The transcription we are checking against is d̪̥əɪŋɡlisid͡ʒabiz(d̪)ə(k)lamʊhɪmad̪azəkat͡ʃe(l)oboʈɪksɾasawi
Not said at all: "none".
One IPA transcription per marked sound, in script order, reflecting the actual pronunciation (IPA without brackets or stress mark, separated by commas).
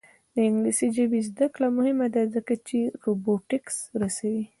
d̪, k, ɾ